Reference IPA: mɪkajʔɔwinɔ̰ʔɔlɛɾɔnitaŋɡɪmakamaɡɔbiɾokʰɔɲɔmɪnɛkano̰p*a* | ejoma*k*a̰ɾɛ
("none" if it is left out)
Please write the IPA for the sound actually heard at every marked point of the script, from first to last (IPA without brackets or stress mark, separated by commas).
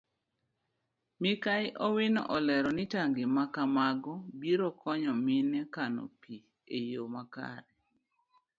i, k